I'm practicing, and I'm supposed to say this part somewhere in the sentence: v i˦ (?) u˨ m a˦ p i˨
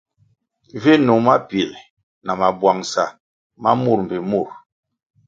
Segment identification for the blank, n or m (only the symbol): n